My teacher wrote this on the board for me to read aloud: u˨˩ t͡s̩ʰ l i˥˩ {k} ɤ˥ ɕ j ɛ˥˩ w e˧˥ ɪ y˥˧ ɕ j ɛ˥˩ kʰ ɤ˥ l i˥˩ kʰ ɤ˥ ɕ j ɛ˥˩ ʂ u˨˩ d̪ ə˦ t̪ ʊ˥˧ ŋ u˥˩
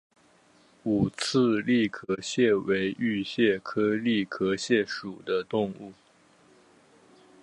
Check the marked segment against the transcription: incorrect: kʰ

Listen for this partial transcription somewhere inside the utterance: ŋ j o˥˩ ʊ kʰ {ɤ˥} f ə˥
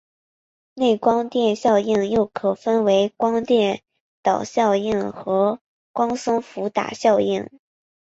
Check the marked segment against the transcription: incorrect: ɤ˨˩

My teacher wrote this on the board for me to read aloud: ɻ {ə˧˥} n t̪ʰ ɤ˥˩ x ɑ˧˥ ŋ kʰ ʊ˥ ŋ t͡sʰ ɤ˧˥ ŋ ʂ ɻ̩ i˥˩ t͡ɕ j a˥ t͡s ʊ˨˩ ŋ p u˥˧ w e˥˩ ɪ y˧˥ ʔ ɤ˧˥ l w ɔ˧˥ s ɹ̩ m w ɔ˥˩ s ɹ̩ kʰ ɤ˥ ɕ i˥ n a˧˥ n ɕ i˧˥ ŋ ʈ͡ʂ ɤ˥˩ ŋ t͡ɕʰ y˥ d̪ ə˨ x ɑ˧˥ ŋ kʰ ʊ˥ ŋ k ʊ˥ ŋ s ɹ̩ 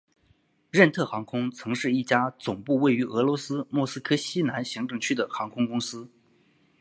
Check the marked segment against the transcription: incorrect: ə˥˧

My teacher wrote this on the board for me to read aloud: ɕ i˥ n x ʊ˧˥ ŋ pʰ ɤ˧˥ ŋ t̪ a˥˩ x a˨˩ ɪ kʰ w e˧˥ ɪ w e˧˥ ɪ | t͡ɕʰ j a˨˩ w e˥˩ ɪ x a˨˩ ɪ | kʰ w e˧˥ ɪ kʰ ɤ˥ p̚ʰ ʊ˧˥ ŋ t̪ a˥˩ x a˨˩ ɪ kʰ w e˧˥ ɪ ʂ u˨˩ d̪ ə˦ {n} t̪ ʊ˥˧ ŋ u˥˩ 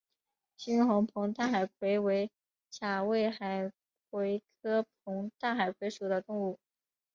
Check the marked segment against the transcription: incorrect: none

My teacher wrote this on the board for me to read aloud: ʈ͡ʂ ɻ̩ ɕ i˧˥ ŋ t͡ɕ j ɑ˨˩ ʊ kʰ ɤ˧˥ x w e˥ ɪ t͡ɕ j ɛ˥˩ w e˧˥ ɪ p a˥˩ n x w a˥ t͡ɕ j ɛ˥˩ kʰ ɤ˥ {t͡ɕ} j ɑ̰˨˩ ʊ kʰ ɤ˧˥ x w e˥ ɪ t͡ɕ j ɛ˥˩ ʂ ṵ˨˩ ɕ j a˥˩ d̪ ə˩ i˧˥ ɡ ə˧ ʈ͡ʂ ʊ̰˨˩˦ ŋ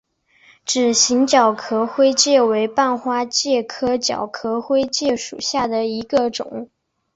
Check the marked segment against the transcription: correct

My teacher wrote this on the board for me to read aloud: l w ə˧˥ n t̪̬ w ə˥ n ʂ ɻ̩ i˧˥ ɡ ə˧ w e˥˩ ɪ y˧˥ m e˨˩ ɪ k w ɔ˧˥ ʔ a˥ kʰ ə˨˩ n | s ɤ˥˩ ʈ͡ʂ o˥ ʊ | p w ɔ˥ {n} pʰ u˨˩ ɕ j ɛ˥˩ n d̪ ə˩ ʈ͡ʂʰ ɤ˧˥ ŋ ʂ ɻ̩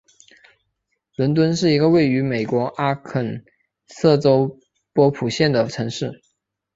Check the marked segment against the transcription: incorrect: none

